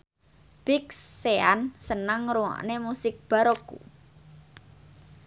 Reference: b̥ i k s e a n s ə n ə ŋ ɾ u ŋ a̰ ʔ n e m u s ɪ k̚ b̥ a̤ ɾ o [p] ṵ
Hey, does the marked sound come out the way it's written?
no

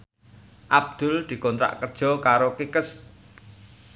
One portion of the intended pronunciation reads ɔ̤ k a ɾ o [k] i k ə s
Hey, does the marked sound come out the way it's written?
yes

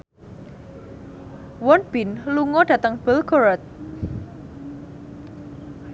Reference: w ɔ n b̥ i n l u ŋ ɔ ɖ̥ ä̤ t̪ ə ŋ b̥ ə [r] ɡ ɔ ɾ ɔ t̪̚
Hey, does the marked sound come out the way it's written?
no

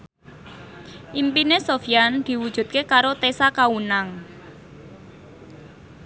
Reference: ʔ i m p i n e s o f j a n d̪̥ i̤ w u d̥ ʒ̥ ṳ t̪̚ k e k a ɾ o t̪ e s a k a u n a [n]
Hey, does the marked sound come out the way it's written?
no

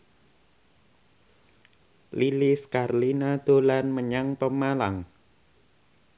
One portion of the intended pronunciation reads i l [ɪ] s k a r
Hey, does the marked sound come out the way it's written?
no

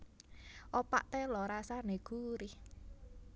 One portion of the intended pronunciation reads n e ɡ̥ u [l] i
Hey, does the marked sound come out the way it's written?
no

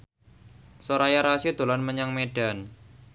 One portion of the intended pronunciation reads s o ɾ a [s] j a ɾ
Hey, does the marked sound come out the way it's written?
no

